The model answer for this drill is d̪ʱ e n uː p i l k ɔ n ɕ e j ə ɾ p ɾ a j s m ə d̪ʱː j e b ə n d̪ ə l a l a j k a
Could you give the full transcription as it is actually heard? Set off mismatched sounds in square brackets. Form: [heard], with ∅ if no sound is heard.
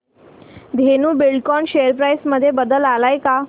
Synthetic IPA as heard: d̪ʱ e n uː [b] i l k ɔ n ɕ e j ə ɾ p ɾ a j s m ə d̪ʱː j e b ə [∅] d̪ ə l a l a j k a